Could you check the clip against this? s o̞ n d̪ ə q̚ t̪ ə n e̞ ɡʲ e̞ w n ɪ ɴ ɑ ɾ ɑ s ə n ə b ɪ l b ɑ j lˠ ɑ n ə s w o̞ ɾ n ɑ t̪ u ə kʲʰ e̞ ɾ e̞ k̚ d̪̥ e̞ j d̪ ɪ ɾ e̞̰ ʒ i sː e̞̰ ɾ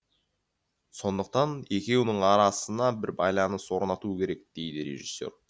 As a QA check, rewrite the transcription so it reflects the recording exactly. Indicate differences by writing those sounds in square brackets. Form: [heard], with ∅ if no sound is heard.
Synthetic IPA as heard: s o̞ n d̪ ə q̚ t̪ [ɑ] n e̞ [kʲ] e̞ w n ɪ ɴ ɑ ɾ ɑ s ə n [ɑ] b ɪ [ɾ] b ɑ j lˠ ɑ n ə s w o̞ ɾ n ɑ t̪ u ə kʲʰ e̞ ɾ e̞ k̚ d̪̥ e̞ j d̪ ɪ ɾ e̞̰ ʒ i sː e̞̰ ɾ